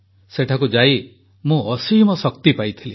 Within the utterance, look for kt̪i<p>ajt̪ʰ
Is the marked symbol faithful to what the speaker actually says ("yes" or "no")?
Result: yes